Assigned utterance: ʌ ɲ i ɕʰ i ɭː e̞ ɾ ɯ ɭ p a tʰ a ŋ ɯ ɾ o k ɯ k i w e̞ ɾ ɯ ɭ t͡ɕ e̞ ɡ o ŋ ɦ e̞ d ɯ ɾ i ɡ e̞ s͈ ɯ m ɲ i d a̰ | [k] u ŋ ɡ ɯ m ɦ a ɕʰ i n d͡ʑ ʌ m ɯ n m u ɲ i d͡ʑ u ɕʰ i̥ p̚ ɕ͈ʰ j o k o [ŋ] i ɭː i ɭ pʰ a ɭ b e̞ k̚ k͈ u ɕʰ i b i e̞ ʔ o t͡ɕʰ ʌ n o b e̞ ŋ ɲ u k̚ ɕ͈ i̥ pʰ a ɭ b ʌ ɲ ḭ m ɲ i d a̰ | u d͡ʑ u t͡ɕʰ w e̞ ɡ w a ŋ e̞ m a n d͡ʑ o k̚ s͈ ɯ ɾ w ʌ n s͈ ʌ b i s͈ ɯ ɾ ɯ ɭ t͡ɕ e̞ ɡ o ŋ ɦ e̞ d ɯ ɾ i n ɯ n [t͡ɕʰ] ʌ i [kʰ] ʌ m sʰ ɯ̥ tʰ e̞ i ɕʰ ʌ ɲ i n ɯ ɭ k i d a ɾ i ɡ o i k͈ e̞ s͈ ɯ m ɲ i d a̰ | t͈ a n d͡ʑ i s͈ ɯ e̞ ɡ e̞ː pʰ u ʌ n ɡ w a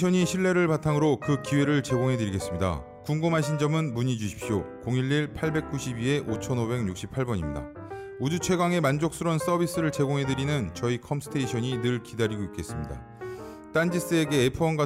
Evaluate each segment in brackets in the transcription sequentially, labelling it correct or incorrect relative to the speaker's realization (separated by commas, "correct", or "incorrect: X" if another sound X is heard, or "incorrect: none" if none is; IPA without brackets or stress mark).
correct, correct, incorrect: t͡ɕ, correct